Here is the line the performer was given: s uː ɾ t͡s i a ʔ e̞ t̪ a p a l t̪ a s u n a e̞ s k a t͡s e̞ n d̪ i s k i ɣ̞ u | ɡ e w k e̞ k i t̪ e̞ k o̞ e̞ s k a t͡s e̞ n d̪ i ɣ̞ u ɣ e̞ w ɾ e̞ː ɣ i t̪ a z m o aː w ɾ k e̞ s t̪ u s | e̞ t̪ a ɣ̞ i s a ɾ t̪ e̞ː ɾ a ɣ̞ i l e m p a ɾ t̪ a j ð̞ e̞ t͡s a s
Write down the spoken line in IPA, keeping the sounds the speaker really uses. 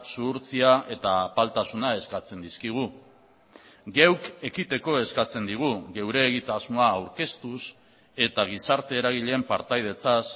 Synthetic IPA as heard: s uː ɾ t͡s i a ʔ e̞ t̪ a p a l t̪ a s u n a e̞ s k a t͡s e̞ n d̪ i s k i ɣ̞ u | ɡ e w k e̞ k i t̪ e̞ k o̞ e̞ s k a t͡s e̞ n d̪ i ɣ̞ u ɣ e̞ w ɾ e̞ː ɣ i t̪ a z m o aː w ɾ k e̞ s t̪ u s | e̞ t̪ a ɣ̞ i s a ɾ t̪ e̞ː ɾ a ɣ̞ i ʎ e m p a ɾ t̪ a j ð̞ e̞ t͡s a s